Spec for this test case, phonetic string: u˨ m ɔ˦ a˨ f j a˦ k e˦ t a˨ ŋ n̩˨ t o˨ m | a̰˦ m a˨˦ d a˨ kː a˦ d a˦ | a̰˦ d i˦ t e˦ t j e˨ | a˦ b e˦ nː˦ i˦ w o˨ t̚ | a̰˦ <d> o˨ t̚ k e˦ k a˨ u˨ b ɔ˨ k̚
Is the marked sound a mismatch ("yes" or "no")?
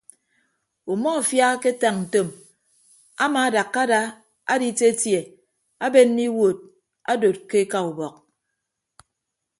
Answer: no